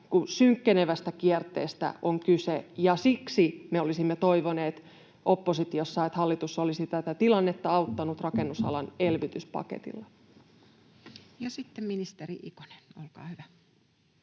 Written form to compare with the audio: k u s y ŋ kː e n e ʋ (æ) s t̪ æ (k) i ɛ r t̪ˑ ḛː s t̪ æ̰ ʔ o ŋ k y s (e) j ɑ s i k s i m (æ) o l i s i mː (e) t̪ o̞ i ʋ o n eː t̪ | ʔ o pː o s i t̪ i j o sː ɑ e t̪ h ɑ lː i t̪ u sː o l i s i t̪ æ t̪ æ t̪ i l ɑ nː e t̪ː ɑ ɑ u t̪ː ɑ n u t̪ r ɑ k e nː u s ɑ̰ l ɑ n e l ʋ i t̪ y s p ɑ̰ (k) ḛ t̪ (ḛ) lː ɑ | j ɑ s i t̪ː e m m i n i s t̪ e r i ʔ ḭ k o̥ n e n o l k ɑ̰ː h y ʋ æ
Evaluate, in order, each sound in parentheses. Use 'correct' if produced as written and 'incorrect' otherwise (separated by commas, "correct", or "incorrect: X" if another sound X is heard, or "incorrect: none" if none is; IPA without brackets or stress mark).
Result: correct, correct, correct, incorrect: e, correct, correct, incorrect: ḭ